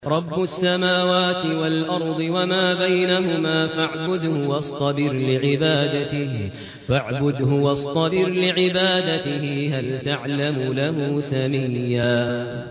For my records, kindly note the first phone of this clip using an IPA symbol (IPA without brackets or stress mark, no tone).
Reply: ɾˤ